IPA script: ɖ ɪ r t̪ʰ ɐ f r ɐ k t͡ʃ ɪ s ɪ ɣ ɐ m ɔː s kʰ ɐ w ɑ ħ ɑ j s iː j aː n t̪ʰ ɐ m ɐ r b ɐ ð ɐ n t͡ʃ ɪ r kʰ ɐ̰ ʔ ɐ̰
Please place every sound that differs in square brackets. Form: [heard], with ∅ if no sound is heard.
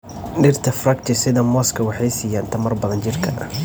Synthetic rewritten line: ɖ ɪ r t̪ʰ ɐ f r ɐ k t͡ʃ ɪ s ɪ [ð] ɐ m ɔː s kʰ ɐ w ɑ ħ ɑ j s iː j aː n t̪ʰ ɐ m ɐ r b ɐ ð ɐ n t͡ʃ ɪ r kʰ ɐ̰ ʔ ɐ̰